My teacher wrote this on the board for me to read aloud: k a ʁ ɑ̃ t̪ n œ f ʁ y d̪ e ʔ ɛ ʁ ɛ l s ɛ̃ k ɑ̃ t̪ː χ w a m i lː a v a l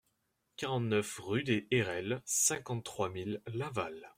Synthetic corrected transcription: k a ʁ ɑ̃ t̪ n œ f ʁ y d̪ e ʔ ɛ ʁ ɛ l s ɛ̃ k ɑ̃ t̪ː χ w a m i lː a v a l